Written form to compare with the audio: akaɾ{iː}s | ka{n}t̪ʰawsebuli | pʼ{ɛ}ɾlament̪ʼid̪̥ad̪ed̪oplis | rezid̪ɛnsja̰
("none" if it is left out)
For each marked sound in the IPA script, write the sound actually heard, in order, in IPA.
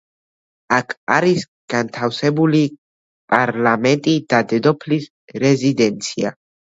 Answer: i, n, a

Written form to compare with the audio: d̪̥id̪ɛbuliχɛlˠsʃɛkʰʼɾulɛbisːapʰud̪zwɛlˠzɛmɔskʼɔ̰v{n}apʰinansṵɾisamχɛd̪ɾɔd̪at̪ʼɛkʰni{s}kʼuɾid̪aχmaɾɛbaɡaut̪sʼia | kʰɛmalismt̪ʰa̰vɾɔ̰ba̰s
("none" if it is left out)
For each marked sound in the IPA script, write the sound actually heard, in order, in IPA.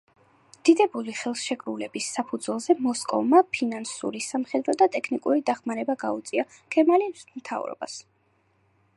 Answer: m, none

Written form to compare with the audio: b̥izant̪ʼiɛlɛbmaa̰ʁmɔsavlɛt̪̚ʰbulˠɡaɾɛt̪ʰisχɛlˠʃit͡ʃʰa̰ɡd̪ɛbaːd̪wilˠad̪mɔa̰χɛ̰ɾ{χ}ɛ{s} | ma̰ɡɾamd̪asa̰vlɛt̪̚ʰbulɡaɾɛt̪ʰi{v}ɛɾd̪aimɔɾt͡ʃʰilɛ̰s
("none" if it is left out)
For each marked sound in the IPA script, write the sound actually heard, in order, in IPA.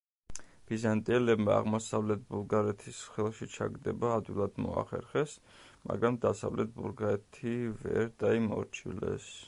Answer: χ, s, v

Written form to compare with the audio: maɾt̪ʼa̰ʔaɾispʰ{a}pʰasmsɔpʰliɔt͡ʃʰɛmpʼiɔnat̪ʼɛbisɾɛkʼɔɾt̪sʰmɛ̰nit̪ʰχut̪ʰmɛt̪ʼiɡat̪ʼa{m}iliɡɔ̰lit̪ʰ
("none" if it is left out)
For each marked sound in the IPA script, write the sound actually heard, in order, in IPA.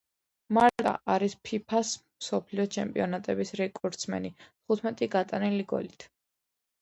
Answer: i, n

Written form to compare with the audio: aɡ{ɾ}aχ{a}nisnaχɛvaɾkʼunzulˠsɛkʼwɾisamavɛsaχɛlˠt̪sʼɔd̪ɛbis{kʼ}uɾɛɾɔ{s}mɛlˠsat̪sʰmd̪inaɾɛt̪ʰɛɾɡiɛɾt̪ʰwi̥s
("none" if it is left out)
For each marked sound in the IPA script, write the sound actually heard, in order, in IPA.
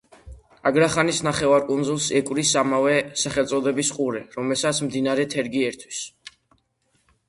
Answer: ɾ, a, qʼ, none

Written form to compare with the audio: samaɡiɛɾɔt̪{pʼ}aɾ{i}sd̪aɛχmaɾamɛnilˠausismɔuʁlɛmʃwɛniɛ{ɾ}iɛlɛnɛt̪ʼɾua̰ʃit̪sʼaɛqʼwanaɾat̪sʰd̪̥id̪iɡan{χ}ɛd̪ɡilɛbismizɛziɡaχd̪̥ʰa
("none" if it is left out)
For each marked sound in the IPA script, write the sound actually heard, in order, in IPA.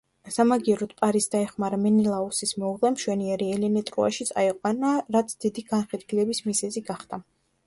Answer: pʼ, i, ɾ, χ

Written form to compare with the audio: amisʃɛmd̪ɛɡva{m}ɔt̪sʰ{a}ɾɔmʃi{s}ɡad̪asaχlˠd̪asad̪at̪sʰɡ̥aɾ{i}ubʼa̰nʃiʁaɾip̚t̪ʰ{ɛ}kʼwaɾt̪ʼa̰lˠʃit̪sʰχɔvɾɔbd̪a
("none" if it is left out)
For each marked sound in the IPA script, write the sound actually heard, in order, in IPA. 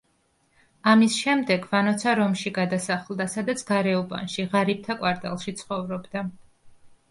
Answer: n, a, none, ɛ, a

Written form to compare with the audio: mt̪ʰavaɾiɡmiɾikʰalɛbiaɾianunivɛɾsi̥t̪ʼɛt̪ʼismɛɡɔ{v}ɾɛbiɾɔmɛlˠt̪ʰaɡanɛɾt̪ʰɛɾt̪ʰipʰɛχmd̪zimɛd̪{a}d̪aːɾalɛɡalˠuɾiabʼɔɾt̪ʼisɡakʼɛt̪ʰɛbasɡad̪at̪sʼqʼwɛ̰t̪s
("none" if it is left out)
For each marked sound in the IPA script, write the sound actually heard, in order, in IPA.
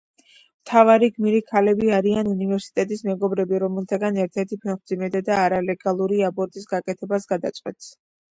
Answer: b, a

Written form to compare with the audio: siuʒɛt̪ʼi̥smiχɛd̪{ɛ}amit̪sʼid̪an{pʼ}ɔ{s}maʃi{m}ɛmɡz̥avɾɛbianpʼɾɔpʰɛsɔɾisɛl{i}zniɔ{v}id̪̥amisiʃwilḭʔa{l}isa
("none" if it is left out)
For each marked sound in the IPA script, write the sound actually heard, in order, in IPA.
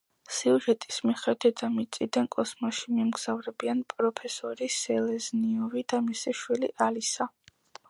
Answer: ɛ, kʼ, s, m, ɛ, v, l

